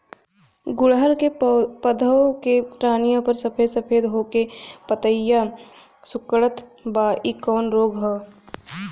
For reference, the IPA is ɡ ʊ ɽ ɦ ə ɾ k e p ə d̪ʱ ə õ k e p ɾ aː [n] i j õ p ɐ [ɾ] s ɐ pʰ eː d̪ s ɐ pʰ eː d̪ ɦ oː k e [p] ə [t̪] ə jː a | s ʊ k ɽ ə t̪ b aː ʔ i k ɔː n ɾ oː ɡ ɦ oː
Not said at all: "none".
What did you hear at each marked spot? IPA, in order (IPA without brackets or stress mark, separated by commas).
n, ɾ, p, t̪